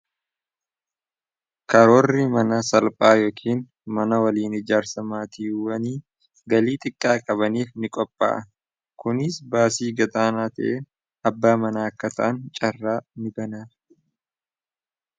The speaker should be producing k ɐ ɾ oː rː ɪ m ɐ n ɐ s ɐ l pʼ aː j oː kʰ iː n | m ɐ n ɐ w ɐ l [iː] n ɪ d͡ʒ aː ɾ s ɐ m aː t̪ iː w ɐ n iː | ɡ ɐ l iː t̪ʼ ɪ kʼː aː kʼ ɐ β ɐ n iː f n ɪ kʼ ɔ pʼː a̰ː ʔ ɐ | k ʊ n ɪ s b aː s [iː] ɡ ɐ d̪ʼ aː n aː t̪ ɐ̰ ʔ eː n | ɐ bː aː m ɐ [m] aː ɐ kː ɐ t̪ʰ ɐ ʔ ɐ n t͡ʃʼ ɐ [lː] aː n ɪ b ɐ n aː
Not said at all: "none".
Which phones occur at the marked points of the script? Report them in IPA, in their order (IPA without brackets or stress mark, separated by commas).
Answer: iː, iː, n, rː